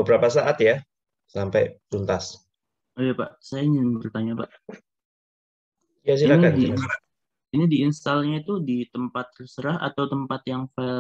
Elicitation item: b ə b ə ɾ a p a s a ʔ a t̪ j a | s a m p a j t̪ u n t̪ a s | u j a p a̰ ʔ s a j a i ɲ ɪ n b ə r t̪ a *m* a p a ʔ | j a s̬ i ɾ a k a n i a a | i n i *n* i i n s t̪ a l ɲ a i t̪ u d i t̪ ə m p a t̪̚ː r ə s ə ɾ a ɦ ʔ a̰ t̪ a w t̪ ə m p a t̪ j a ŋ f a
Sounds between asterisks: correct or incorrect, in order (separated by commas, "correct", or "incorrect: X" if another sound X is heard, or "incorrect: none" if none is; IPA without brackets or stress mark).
incorrect: ɲ, incorrect: d